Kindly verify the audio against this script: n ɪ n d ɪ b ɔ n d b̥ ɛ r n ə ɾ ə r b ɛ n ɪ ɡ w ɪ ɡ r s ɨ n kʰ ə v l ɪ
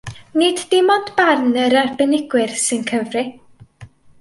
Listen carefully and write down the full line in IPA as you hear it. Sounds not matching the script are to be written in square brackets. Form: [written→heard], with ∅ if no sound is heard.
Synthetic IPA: n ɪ [n→d] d ɪ [b→m] ɔ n d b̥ [ɛ→a] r n ə ɾ [ə→a] r b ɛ n ɪ ɡ w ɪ [ɡ→∅] r s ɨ n kʰ ə v [l→r] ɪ